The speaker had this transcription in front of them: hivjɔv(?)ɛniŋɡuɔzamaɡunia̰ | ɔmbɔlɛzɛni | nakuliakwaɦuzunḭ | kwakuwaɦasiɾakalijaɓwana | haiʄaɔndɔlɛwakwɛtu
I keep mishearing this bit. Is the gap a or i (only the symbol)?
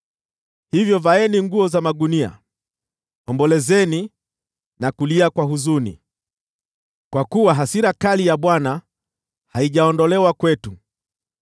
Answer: a